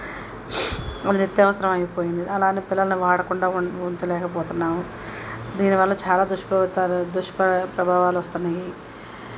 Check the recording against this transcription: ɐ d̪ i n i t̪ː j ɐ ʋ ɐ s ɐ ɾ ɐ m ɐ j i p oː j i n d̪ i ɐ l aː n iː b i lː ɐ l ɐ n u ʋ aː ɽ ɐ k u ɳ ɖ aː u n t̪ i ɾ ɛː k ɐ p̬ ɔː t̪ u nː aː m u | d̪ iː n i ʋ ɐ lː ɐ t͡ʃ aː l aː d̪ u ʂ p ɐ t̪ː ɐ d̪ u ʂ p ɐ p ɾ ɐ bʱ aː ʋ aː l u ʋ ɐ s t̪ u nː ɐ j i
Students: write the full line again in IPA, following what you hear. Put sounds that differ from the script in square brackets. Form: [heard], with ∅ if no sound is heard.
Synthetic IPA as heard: ɐ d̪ i n i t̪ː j ɐ ʋ ɐ s ɐ ɾ ɐ m ɐ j i p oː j i n d̪ i ɐ l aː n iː [p] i lː ɐ l ɐ n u ʋ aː ɽ ɐ k u ɳ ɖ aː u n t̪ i [l] ɛː k ɐ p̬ ɔː t̪ u nː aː m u | d̪ iː n i ʋ ɐ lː ɐ t͡ʃ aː l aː d̪ u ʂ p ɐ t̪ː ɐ d̪ u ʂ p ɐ p ɾ ɐ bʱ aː ʋ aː l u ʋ ɐ s t̪ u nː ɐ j i